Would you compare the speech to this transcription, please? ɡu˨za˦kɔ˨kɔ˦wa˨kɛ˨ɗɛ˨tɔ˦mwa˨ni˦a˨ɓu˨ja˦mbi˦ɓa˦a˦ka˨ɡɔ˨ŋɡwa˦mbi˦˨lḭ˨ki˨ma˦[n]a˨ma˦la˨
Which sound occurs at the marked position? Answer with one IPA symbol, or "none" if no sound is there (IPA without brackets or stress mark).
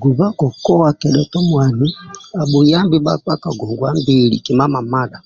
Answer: m